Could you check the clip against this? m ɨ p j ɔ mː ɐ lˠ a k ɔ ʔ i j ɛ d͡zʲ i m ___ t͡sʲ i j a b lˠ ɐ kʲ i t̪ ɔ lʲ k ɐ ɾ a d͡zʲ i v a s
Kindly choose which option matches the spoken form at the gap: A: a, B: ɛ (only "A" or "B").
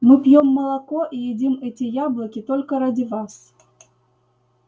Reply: B